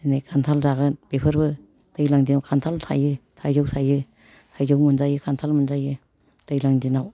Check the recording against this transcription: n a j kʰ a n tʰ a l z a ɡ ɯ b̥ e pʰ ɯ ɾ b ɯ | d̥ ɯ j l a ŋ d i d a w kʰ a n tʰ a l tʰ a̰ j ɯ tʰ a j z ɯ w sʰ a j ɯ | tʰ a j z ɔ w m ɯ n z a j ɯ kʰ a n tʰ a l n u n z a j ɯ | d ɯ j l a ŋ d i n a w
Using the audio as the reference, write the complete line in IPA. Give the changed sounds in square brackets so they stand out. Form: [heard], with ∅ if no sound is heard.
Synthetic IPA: n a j kʰ a n tʰ a l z a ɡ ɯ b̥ e pʰ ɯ ɾ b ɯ | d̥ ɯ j l a ŋ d i [n] a w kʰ a n tʰ a l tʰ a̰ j ɯ tʰ a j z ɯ w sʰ a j ɯ | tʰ a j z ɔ w m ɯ n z a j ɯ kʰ a n tʰ a l [m] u n z a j ɯ | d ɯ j l a ŋ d i n a w